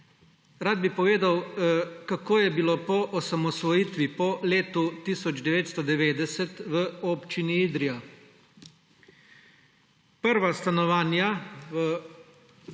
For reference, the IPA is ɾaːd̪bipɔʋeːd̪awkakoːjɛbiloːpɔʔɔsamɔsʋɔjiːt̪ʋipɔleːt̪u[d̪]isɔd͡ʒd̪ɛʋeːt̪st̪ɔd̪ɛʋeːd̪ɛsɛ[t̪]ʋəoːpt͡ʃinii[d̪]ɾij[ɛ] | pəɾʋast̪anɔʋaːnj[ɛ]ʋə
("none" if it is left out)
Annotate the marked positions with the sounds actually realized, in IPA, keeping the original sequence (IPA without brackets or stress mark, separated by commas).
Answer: t̪, t̪, d̪, a, a